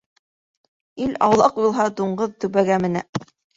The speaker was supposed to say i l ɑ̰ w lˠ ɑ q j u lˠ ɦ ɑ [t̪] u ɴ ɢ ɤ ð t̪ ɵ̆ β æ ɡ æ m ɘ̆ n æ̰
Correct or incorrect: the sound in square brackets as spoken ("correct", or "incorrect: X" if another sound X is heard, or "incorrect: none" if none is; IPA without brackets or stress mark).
incorrect: d̪